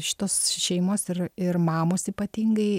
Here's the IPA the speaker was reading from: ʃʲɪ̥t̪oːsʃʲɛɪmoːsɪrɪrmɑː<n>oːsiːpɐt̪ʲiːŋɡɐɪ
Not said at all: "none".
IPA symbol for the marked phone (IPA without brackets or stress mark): m